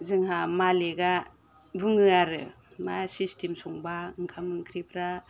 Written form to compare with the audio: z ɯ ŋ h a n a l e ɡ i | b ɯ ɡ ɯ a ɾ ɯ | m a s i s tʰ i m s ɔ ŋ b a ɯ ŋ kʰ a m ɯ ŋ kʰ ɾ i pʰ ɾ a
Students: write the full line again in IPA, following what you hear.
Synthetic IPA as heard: z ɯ ŋ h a m a l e ɡ a | b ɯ ŋ ɯ a ɾ ɯ | m a s i s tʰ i m s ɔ ŋ b a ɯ ŋ kʰ a m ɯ ŋ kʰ ɾ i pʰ ɾ a